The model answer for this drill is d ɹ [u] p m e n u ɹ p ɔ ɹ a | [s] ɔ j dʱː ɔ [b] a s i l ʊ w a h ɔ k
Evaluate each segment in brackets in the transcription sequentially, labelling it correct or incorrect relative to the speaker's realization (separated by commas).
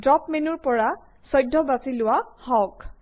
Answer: incorrect, correct, correct